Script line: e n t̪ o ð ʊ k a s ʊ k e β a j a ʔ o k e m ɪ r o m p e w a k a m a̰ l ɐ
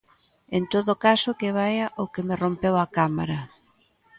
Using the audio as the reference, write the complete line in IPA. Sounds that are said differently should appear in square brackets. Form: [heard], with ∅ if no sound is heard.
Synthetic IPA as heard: e n t̪ o ð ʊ k a s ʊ k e β a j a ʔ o k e m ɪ r o m p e w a k a m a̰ [ɾ] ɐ

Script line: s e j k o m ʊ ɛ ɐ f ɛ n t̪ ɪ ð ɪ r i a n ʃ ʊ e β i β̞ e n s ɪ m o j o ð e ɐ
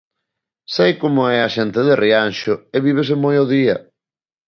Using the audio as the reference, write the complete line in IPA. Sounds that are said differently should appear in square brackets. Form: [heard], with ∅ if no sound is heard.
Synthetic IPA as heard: s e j k o m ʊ ɛ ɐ [ʃ] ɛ n t̪ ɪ ð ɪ r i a n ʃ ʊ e β i β̞ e [∅] s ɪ m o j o ð [i] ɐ

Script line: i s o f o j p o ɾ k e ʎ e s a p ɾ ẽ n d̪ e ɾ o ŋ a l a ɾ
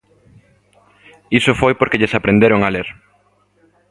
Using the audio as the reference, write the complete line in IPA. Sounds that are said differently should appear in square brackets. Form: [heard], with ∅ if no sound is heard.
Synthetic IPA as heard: i s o f o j p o ɾ k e ʎ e s a p ɾ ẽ n d̪ e ɾ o ŋ a l [e] ɾ

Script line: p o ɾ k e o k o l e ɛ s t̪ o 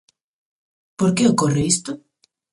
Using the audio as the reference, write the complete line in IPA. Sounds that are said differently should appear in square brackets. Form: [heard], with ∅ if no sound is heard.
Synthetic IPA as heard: p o ɾ k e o k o [r] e [i] s t̪ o

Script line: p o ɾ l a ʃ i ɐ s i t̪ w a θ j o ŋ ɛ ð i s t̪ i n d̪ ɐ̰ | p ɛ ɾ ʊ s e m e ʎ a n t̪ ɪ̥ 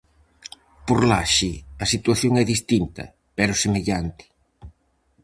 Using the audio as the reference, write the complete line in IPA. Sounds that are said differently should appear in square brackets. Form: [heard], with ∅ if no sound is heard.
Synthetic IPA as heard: p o ɾ l a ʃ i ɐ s i t̪ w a θ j o ŋ ɛ ð i s t̪ i n [t̪] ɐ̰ | p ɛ ɾ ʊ s e m e ʎ a n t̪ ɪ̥

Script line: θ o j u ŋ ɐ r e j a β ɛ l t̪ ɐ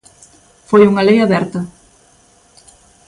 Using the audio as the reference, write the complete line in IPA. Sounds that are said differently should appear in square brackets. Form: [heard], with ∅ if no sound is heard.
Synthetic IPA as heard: [f] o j u ŋ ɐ [l] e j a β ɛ [ɾ] t̪ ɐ

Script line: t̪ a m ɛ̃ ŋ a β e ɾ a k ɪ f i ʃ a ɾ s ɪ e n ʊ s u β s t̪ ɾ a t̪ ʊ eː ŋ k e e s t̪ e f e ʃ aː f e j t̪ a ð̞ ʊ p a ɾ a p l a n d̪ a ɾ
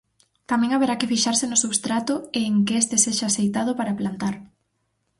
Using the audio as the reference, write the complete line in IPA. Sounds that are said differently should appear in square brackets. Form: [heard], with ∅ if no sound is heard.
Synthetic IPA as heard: t̪ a m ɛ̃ ŋ a β e ɾ a k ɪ f i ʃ a ɾ s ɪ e n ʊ s u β s t̪ ɾ a t̪ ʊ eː ŋ k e e s t̪ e [s] e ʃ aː [s] e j t̪ a ð̞ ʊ p a ɾ a p l a n [t̪] a ɾ

